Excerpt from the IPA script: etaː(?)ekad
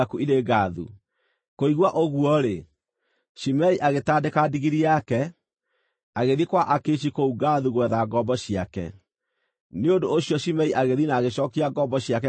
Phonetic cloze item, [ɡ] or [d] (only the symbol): d